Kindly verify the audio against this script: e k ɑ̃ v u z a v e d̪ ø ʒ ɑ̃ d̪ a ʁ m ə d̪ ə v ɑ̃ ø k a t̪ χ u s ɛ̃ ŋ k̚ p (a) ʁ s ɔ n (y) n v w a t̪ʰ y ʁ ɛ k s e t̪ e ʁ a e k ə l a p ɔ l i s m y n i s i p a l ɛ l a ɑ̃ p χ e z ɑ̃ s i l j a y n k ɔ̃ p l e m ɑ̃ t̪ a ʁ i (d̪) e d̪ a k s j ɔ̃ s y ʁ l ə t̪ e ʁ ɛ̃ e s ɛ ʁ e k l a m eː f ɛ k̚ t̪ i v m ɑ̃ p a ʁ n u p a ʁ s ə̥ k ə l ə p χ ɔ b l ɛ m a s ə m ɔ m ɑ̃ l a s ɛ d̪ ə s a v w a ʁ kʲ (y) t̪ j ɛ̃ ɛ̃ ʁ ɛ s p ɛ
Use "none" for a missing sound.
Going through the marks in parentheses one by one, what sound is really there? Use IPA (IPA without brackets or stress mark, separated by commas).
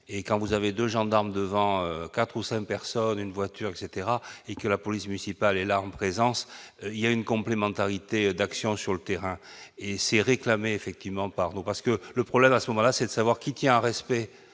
ɛ, y, t̪, i